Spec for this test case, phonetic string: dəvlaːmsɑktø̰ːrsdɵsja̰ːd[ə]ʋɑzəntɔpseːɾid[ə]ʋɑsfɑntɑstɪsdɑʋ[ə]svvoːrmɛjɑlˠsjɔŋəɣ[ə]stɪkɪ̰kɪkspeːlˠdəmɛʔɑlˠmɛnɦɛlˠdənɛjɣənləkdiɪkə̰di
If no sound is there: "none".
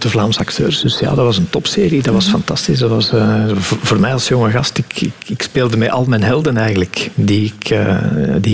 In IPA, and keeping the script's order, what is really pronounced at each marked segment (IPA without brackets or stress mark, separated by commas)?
ɑ, ɑ, ɑ, ɑ